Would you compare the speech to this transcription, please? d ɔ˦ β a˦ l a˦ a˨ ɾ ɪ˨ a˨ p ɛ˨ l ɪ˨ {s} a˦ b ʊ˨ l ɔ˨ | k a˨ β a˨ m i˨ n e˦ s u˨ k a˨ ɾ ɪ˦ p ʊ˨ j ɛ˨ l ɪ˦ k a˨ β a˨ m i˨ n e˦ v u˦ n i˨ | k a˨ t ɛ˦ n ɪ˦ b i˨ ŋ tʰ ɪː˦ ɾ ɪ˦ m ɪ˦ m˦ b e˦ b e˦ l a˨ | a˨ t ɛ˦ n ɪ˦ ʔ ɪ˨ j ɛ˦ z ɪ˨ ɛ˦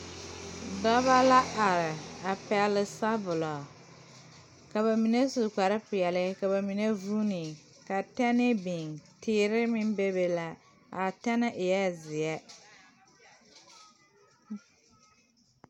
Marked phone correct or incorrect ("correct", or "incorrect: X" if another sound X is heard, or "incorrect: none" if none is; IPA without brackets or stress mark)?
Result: correct